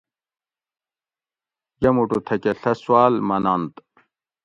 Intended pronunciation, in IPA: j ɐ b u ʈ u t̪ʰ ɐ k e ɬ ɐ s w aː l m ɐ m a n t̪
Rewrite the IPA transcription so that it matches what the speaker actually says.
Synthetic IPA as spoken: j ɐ m u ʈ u t̪ʰ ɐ k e ɬ ɐ s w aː l m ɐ n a n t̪